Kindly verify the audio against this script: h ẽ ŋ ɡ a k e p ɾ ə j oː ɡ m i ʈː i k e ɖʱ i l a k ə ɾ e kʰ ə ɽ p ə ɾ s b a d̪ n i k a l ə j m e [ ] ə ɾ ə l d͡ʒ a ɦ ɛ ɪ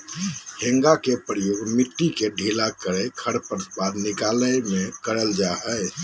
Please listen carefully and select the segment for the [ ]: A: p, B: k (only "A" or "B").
B